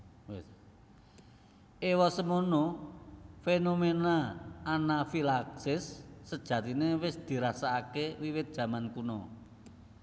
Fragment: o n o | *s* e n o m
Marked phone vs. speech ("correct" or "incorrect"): incorrect